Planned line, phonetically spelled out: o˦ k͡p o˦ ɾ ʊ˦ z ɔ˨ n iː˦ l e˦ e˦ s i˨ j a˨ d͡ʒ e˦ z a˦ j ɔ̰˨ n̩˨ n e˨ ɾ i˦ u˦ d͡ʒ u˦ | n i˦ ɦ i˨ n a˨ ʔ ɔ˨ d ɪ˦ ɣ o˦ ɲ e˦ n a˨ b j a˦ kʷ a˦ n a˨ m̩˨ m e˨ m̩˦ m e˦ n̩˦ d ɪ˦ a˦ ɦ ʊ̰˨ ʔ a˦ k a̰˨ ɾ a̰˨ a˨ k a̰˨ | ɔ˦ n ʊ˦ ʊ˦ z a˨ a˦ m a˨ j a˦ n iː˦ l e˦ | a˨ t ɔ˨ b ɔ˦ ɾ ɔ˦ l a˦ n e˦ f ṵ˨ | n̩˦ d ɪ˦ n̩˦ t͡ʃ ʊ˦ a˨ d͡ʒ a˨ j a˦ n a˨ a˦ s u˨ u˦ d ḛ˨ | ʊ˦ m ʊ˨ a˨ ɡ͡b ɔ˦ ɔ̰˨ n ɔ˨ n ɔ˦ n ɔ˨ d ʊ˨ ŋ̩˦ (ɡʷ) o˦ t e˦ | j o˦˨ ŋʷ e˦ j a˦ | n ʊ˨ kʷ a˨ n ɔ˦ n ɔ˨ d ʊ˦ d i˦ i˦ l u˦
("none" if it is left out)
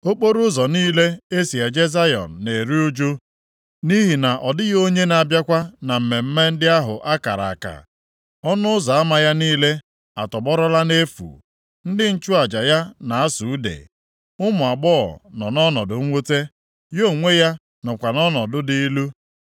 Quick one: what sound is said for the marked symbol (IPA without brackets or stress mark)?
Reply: ŋʷ